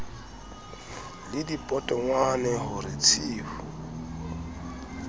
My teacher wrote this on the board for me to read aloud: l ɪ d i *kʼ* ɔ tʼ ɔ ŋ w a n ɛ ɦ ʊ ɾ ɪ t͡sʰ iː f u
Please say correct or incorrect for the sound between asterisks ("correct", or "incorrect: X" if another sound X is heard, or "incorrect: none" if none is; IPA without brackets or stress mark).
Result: incorrect: pʼ